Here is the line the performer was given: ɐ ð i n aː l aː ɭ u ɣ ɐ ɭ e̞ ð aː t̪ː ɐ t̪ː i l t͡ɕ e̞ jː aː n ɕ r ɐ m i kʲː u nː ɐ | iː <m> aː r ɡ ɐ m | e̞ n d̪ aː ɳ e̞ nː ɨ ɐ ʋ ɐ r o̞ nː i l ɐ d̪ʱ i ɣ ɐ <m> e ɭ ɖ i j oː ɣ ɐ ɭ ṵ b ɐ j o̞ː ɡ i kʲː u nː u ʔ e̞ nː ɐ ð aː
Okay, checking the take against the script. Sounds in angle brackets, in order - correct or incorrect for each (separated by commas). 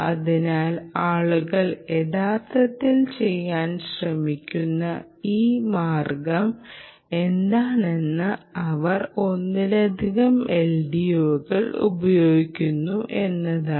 correct, correct